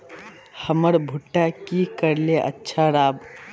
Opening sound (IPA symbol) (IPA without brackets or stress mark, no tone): h